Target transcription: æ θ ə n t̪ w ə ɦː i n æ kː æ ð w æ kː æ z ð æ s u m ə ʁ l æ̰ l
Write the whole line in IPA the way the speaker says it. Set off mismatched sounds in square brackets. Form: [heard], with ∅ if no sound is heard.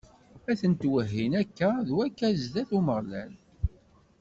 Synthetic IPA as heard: æ θ ə n t̪ w ə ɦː i n æ kː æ ð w æ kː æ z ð æ [θ] u m ə ʁ l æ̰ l